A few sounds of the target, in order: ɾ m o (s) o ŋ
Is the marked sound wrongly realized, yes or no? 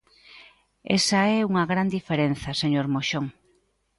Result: yes